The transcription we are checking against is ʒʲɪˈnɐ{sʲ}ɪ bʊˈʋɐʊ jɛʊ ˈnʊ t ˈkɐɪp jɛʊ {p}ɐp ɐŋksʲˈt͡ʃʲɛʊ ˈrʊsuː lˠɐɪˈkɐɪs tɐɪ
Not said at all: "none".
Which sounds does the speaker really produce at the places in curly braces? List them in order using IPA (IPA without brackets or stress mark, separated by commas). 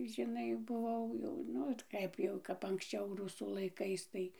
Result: none, k